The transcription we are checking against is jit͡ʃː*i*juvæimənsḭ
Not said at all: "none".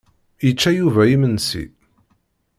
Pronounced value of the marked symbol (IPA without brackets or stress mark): æ